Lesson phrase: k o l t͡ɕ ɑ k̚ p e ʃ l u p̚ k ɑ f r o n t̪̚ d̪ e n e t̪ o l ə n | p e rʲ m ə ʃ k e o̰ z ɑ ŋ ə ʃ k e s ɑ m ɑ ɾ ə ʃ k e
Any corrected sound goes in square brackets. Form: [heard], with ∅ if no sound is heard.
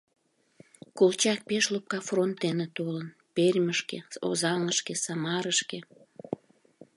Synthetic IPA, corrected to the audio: k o l t͡ɕ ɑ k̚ p e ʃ l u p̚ k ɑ f r o n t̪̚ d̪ e n e t̪ o l ə n | p e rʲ m ə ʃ k e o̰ z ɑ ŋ ə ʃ k e s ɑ m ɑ ɾ ə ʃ k e